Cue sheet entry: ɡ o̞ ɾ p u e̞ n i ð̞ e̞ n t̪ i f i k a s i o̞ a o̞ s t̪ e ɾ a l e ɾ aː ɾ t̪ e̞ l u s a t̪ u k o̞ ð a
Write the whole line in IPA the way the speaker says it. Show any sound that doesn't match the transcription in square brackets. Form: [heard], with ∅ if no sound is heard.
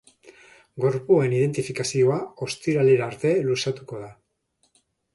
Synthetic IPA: ɡ o̞ ɾ p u e̞ n i ð̞ e̞ n t̪ i f i k a s i o̞ a o̞ s t̪ [i] ɾ a l e ɾ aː ɾ t̪ e̞ l u s a t̪ u k o̞ ð a